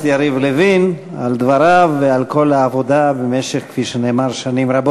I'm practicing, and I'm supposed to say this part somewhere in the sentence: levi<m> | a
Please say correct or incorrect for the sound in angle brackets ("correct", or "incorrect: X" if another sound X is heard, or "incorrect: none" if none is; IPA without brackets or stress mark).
incorrect: n